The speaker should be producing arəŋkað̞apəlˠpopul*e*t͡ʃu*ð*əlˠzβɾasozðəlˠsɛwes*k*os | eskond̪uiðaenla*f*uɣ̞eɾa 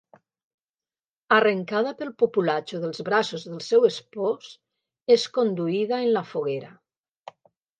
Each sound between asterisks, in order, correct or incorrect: incorrect, correct, incorrect, correct

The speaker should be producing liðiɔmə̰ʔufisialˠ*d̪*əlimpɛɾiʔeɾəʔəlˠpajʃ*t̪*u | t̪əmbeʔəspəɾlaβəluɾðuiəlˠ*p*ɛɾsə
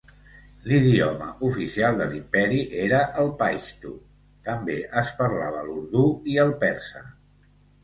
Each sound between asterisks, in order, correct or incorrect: correct, correct, correct

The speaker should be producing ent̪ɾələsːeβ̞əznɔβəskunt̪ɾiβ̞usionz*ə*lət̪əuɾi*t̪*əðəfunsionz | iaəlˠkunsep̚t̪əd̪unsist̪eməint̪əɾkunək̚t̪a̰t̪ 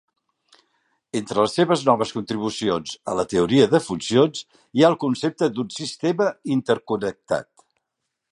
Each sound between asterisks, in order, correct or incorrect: correct, incorrect

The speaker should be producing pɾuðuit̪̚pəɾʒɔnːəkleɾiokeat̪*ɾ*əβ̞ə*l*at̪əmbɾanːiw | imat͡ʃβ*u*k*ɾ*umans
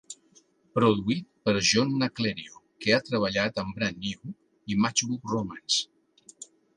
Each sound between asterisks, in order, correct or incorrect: correct, incorrect, correct, incorrect

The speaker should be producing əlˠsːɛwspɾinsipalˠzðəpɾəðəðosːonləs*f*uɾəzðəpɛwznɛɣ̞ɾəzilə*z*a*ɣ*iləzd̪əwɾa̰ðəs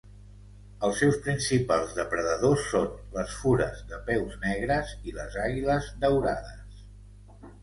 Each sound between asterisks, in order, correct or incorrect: correct, correct, correct

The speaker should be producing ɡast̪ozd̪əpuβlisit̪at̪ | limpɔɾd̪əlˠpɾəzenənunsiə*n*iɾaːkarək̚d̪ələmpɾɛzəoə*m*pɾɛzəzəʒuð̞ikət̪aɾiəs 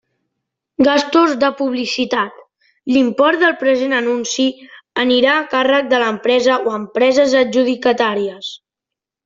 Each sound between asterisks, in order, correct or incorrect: correct, correct

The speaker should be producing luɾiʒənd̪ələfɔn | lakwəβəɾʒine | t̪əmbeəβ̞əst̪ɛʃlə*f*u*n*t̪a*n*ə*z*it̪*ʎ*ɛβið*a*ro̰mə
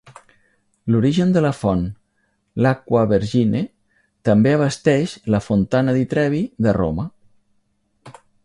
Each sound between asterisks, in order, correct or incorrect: correct, correct, correct, incorrect, incorrect, incorrect

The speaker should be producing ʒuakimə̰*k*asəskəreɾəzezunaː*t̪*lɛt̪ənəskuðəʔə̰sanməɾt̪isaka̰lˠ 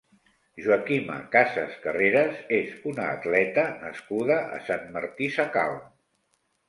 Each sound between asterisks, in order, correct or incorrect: correct, correct

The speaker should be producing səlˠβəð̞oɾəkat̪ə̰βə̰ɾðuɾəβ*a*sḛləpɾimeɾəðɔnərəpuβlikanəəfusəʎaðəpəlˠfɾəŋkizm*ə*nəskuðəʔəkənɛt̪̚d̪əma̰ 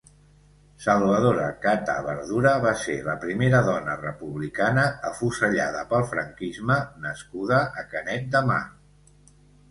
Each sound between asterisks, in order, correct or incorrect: correct, correct

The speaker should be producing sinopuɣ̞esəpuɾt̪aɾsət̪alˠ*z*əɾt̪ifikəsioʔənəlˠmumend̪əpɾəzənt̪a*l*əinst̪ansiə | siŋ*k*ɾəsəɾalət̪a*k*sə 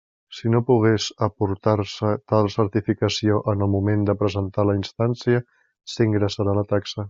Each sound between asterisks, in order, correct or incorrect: incorrect, correct, incorrect, correct

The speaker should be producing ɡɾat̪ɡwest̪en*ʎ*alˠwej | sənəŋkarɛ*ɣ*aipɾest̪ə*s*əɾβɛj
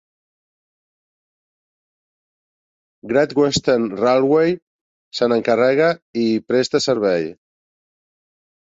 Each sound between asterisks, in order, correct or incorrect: incorrect, correct, correct

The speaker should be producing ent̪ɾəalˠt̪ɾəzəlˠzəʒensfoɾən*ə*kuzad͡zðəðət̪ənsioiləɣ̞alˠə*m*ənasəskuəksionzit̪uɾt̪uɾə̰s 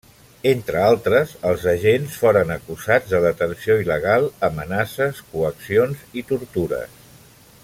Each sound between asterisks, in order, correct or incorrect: correct, correct

